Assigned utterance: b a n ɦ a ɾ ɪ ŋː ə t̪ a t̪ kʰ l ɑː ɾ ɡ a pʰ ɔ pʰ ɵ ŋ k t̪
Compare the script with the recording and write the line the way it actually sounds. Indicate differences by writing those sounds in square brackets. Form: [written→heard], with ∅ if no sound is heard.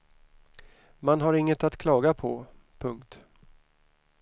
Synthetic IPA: [b→m] a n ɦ a ɾ ɪ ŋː ə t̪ a t̪ kʰ l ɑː [ɾ→∅] ɡ a pʰ ɔ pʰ ɵ ŋ k t̪